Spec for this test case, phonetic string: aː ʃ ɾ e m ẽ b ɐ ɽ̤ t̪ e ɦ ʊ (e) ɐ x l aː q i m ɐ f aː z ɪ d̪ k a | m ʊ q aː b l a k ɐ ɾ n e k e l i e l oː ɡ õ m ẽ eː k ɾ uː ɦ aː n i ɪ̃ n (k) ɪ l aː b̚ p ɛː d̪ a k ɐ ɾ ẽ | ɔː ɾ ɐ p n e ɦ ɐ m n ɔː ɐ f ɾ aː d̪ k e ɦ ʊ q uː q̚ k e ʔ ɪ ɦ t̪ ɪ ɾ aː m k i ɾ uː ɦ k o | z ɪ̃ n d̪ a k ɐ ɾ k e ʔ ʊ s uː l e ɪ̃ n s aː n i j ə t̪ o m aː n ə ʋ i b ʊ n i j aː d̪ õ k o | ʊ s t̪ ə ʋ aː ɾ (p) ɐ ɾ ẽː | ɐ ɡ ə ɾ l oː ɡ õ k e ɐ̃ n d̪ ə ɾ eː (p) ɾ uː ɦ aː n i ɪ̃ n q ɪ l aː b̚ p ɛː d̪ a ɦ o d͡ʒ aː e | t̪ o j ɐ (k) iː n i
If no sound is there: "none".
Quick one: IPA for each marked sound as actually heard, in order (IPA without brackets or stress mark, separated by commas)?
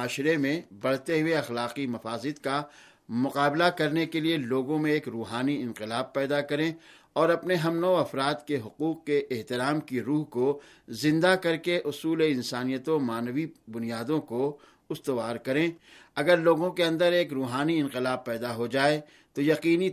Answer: e, q, k, k, q